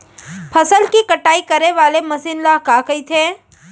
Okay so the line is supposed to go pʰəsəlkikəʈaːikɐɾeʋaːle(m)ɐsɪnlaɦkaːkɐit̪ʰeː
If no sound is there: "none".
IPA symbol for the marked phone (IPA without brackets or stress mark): m